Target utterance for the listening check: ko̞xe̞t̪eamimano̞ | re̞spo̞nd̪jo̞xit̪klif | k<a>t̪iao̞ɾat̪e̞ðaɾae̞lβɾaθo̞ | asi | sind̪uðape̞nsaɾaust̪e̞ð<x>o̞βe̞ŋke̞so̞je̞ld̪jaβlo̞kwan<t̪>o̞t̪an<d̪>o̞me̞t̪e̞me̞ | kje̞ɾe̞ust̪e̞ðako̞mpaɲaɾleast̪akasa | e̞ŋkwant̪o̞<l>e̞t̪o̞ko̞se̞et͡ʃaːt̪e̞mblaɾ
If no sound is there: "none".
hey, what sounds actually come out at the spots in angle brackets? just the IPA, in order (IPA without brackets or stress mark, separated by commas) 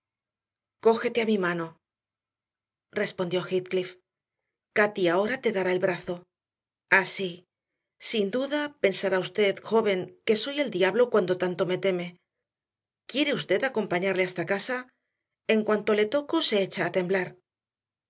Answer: a, x, d̪, t̪, l